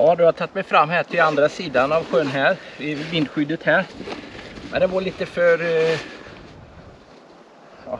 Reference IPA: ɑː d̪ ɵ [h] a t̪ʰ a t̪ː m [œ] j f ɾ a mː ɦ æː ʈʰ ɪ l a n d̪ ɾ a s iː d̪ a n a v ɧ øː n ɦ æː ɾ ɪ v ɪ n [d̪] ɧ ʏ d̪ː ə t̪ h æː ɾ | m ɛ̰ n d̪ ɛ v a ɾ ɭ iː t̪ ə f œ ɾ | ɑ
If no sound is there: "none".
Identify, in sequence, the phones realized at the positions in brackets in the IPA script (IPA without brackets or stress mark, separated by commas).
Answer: h, ɛ, d̪